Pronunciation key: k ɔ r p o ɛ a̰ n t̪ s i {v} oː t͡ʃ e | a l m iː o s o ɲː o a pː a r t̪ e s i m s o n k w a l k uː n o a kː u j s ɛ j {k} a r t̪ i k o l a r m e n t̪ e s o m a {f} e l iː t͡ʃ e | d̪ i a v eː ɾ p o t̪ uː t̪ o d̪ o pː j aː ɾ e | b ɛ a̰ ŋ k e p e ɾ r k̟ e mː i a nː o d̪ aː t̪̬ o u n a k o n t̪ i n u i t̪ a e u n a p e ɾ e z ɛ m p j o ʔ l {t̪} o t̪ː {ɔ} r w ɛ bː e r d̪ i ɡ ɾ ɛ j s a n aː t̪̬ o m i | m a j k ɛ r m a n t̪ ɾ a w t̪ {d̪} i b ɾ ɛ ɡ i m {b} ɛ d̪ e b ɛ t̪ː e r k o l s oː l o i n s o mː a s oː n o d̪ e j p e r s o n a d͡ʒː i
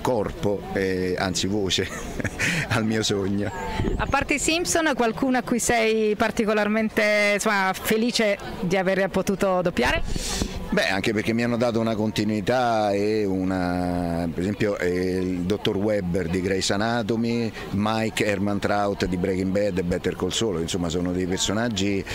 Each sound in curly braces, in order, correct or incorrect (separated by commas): correct, incorrect, correct, incorrect, incorrect, correct, correct